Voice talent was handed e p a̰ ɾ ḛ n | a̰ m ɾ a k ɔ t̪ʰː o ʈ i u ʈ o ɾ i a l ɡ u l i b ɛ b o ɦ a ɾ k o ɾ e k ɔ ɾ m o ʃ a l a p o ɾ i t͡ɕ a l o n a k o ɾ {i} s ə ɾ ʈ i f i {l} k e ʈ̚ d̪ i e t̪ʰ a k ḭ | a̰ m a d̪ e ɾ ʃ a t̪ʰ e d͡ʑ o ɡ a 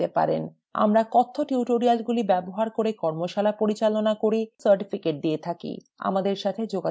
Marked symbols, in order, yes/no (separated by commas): yes, no